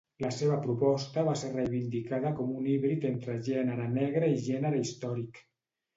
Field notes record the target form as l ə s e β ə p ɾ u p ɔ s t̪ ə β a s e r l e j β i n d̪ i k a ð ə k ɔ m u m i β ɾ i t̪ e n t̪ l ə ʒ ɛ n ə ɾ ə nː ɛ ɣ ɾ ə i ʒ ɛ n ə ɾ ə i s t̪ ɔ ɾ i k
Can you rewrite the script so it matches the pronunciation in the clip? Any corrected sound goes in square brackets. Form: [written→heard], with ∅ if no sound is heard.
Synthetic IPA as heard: l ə s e β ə p ɾ u p ɔ s t̪ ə β a s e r [l→r] e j β i n d̪ i k a ð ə k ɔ m u [m→n] i β ɾ i t̪ e n t̪ [l→ɾ] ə ʒ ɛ n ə ɾ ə [nː→n] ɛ ɣ ɾ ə i ʒ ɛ n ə ɾ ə i s t̪ ɔ ɾ i k